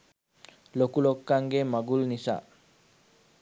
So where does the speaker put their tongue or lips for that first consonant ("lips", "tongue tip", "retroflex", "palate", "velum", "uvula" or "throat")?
tongue tip